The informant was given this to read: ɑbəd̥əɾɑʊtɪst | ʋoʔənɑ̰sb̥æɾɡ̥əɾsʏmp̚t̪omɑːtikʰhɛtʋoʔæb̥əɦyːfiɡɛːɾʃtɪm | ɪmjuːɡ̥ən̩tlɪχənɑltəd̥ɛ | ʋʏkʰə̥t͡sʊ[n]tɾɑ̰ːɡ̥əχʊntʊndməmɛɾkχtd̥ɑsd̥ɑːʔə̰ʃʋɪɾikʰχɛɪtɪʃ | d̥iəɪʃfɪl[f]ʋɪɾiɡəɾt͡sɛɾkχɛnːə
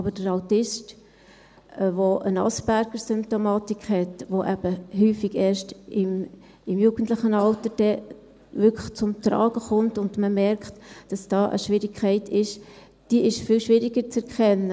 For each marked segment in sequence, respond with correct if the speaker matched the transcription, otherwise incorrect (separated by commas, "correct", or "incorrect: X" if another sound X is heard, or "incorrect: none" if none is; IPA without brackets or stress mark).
incorrect: m, incorrect: ʃ